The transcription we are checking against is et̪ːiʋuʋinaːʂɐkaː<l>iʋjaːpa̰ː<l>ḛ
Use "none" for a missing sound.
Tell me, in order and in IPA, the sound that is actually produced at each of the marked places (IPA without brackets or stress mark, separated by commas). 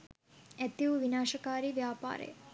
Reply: ɾ, ɾ